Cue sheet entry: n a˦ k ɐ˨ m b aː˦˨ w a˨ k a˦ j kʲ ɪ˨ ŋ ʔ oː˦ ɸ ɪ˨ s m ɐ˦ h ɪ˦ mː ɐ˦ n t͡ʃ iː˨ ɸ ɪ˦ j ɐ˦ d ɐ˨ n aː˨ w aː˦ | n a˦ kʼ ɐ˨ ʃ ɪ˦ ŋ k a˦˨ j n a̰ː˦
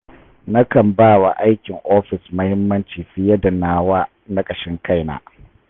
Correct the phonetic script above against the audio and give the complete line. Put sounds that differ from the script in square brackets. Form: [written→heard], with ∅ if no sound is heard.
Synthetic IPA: n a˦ k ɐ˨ m b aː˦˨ w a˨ [k→ʔ] a˦ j kʲ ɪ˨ ŋ ʔ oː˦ ɸ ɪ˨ s m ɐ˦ h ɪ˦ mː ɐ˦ n t͡ʃ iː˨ ɸ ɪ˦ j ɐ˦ d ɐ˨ n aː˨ w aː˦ | n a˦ kʼ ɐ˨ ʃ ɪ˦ ŋ k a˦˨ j n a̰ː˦